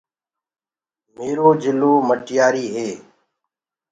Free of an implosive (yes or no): yes